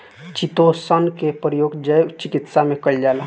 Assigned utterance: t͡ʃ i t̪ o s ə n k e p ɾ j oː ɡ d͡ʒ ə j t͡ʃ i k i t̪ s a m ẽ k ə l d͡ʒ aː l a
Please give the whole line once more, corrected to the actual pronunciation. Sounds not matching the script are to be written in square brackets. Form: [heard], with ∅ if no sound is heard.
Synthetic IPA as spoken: t͡ʃ i t̪ o s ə n k e p ɾ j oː ɡ d͡ʒ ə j t͡ʃ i k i t̪ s a m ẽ k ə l d͡ʒ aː l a